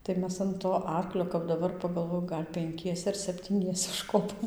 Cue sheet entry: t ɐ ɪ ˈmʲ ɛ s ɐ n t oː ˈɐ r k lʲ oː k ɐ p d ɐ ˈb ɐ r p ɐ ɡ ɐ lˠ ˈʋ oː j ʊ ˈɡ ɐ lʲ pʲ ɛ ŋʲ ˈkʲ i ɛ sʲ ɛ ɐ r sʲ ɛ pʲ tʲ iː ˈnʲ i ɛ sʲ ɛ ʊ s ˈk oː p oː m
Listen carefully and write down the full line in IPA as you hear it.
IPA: t ɐ ɪ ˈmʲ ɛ s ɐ n t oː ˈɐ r k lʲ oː k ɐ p d ɐ ˈb ɐ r p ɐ ɡ ɐ lˠ ˈʋ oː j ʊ ˈɡ ɐ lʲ pʲ ɛ ŋʲ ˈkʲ i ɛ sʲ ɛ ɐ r sʲ ɛ pʲ tʲ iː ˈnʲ i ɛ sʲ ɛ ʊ ʃ ˈk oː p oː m